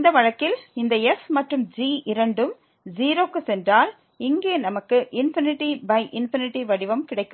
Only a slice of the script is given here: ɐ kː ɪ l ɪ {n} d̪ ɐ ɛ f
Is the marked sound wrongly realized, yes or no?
no